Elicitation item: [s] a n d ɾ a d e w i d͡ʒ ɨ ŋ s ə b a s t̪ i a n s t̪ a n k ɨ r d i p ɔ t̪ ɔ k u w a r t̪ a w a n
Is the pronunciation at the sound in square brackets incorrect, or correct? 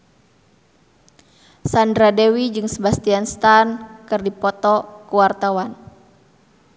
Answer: correct